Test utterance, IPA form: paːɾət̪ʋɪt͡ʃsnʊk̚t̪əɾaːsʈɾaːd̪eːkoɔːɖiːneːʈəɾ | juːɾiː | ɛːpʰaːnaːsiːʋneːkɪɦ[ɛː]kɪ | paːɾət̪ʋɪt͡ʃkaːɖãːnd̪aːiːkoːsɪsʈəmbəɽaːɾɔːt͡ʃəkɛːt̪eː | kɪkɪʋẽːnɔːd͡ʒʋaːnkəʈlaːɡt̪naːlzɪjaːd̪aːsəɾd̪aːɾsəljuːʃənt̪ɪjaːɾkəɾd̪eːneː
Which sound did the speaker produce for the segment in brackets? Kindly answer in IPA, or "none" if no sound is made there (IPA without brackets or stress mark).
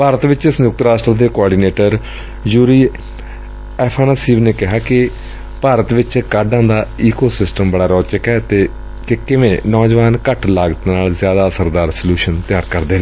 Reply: aː